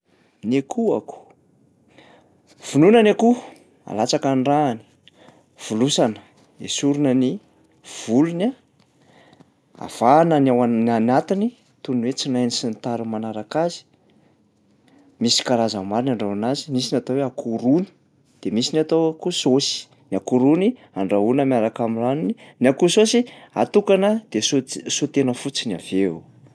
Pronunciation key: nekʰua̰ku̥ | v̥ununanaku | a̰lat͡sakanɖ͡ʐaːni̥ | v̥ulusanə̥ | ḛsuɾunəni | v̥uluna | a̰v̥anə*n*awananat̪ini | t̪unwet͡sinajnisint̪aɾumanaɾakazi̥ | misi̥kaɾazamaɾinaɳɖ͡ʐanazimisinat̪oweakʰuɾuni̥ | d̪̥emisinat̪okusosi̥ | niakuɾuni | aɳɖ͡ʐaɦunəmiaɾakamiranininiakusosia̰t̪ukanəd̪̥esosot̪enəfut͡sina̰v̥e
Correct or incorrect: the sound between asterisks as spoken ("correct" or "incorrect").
correct